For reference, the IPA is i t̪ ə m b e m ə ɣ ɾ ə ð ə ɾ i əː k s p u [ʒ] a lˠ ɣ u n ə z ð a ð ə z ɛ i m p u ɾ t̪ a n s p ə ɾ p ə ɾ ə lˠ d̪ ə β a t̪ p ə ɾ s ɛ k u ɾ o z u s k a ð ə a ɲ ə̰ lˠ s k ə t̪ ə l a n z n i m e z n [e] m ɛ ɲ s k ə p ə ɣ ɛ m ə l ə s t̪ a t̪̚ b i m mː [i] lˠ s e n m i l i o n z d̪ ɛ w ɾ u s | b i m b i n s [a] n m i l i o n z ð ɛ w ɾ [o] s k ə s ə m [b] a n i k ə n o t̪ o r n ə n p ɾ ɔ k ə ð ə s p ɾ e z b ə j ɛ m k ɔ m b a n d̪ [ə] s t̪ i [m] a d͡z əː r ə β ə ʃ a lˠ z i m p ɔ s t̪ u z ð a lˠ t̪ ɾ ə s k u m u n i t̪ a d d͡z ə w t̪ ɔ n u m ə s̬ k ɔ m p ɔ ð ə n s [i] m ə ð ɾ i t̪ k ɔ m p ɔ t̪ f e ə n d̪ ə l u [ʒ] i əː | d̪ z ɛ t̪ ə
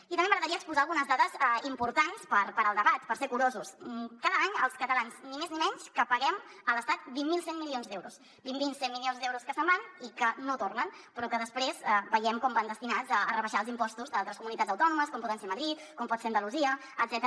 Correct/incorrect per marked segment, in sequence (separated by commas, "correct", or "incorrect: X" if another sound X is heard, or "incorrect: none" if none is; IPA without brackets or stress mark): incorrect: z, incorrect: i, correct, incorrect: e, incorrect: u, correct, correct, incorrect: n, incorrect: e, incorrect: z